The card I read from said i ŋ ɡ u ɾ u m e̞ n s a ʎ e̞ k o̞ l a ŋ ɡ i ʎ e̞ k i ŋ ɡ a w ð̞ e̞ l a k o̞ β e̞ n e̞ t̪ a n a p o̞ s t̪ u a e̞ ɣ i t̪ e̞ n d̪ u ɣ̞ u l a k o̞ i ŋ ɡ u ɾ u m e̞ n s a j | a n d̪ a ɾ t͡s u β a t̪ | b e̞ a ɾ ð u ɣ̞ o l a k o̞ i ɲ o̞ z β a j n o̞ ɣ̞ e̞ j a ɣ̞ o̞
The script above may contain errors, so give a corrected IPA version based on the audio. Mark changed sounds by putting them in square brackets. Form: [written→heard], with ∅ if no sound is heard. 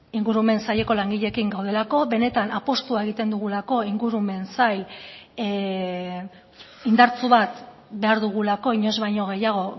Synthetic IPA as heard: i ŋ ɡ u ɾ u m e̞ n s a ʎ e̞ k o̞ l a ŋ ɡ i ʎ e̞ k i ŋ ɡ a w ð̞ e̞ l a k o̞ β e̞ n e̞ t̪ a n a p o̞ s t̪ u a e̞ ɣ i t̪ e̞ n d̪ u ɣ̞ u l a k o̞ i ŋ ɡ u ɾ u m e̞ n s a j | [a→i] n d̪ a ɾ t͡s u β a t̪ | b e̞ a ɾ ð u ɣ̞ [o→u] l a k o̞ i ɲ o̞ z β a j [n→ɲ] o̞ ɣ̞ e̞ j a ɣ̞ o̞

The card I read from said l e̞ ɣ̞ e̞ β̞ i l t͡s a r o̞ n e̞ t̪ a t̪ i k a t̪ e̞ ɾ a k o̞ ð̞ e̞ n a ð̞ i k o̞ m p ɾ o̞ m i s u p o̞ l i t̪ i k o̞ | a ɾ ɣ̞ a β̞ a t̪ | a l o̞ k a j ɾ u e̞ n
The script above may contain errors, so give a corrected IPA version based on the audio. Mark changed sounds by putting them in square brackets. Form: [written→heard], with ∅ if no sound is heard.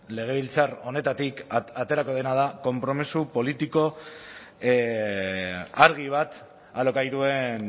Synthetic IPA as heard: l e̞ ɣ̞ e̞ β̞ i l t͡s a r o̞ n e̞ t̪ a t̪ i k a t̪ e̞ ɾ a k o̞ ð̞ e̞ n a ð̞ [i→a] k o̞ m p ɾ o̞ m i s u p o̞ l i t̪ i k o̞ | a ɾ ɣ̞ [a→i] β̞ a t̪ | a l o̞ k a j ɾ u e̞ n

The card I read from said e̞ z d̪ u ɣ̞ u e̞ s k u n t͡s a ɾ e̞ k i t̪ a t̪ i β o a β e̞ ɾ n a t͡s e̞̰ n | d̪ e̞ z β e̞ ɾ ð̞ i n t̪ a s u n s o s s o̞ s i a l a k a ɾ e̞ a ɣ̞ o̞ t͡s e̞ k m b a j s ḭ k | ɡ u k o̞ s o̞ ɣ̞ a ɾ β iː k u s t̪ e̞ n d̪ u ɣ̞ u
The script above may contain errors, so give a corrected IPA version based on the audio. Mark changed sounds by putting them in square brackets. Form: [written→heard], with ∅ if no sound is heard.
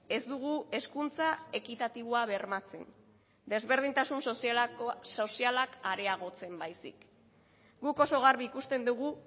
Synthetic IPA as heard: e̞ z d̪ u ɣ̞ u e̞ s k u n t͡s a [ɾ→∅] e̞ k i t̪ a t̪ i β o a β e̞ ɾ [n→m] a t͡s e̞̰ n | d̪ e̞ z β e̞ ɾ ð̞ i n t̪ a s u n s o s s o̞ s i a l a k a ɾ e̞ a ɣ̞ o̞ t͡s e̞ [k→∅] m b a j s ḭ k | ɡ u k o̞ s o̞ ɣ̞ a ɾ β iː k u s t̪ e̞ n d̪ u ɣ̞ u

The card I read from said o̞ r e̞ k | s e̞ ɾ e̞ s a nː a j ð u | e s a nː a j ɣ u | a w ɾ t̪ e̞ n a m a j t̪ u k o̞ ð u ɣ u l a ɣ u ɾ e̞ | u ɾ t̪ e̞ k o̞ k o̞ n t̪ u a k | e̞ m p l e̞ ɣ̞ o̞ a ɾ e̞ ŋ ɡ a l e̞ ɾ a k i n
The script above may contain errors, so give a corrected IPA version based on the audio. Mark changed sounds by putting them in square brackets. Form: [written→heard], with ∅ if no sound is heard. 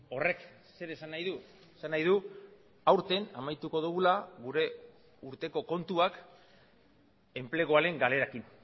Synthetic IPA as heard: o̞ r e̞ k | s e̞ ɾ e̞ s a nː a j ð u | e s a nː a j [ɣ→ð] u | a w ɾ t̪ e̞ n a m a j t̪ u k o̞ ð u ɣ u l a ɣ u ɾ e̞ | u ɾ t̪ e̞ k o̞ k o̞ n t̪ u a k | e̞ m p l e̞ ɣ̞ o̞ a ɾ e̞ ŋ ɡ a l e̞ ɾ a k i n

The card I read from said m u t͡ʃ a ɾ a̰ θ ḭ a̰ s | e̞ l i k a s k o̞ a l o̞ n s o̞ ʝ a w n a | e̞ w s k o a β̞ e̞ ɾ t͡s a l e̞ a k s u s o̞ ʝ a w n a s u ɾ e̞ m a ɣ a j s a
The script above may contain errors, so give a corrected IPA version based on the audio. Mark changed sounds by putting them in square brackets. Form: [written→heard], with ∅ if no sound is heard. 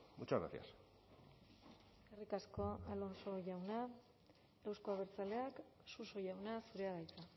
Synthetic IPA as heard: m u t͡ʃ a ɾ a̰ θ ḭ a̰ s | e̞ [l→r] i k a s k o̞ a l o̞ n s o̞ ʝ a w n a | e̞ w s k o a β̞ e̞ ɾ t͡s a l e̞ a k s u s o̞ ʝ a w n a s u ɾ e̞ [m→∅] a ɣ a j [s→t͡s] a

